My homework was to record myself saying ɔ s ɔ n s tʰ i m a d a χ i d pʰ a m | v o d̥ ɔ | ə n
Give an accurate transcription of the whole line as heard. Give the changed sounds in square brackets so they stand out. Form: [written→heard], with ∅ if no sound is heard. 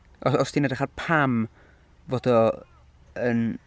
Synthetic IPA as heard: ɔ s ɔ [n→∅] s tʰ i [m→n] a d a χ [i→a] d pʰ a m | v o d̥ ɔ | ə n